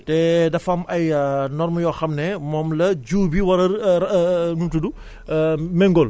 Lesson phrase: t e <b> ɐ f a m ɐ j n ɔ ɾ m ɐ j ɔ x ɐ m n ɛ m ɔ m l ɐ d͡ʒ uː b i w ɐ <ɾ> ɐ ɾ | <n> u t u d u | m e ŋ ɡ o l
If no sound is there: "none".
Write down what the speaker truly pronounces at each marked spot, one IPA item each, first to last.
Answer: d, ɾ, n

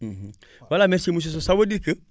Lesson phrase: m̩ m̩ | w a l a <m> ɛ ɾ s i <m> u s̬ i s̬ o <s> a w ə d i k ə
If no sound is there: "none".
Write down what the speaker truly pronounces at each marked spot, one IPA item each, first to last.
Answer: m, m, s

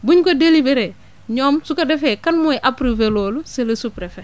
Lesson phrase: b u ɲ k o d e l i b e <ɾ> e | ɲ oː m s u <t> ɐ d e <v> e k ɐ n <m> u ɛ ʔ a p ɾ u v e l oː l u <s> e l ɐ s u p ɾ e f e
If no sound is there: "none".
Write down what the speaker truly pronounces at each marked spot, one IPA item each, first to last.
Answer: ɾ, k, f, m, s

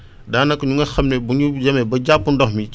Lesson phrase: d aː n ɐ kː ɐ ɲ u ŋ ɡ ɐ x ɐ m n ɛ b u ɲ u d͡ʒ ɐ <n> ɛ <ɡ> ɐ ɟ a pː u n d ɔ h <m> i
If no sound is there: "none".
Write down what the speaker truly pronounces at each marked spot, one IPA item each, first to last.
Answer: m, b, m

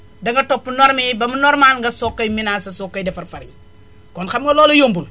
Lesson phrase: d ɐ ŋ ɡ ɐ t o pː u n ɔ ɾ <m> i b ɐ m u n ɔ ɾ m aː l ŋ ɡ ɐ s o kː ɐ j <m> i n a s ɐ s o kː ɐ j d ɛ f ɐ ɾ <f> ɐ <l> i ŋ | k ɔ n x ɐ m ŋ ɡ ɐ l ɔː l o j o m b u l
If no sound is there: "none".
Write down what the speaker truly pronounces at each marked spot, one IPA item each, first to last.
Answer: m, m, f, ɾ

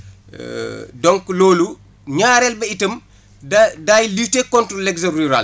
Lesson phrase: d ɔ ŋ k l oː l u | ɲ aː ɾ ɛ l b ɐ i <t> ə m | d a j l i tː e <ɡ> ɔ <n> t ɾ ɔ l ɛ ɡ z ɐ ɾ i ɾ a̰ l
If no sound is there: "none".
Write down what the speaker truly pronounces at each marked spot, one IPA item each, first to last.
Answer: t, k, n

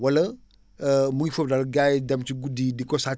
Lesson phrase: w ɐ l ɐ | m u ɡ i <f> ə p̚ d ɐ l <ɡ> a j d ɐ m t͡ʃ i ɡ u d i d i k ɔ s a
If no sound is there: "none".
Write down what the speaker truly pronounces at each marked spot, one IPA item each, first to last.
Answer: f, ɡ

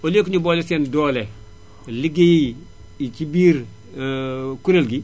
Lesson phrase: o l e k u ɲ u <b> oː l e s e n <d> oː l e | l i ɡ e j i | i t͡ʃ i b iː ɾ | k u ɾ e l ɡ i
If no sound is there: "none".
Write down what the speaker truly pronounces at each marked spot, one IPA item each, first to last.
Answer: b, d

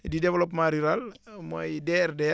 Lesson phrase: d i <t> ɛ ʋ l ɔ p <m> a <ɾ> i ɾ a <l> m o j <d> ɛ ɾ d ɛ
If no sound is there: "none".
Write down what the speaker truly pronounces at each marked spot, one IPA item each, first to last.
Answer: d, m, ɾ, l, d

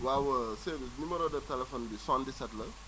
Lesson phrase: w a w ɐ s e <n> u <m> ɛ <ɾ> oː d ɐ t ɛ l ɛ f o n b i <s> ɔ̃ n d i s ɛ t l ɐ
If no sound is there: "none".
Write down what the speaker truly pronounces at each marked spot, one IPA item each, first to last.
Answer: n, m, ɾ, s

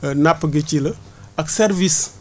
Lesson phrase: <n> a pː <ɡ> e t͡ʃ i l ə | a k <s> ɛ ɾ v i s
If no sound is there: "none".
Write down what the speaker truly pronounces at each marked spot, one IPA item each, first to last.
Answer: n, ɡ, s

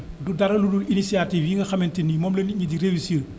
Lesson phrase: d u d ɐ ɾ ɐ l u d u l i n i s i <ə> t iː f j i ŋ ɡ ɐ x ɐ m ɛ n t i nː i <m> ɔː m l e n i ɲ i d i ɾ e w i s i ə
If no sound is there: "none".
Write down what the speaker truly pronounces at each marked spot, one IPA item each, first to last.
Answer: a, m

